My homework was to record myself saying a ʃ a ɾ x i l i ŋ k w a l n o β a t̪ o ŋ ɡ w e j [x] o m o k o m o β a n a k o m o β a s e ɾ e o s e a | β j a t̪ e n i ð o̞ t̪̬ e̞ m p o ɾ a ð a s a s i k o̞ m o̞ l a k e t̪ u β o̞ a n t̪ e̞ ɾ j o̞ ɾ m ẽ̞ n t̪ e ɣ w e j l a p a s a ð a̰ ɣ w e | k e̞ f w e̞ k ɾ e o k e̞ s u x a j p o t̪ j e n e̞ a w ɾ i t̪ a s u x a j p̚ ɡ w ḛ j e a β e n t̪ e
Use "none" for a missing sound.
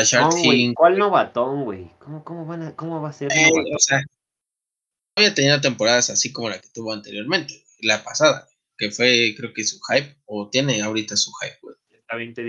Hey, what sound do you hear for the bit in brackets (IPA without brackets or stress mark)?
k